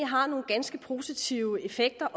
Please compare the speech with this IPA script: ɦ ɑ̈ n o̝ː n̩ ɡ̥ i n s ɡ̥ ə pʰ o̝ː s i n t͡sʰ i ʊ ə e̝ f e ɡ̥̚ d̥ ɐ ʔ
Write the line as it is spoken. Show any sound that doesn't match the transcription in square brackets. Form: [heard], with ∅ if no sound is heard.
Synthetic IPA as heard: ɦ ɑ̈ n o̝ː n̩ ɡ̥ [æ] n s ɡ̥ ə pʰ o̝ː s i [∅] t͡sʰ i ʊ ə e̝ f e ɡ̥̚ d̥ ɐ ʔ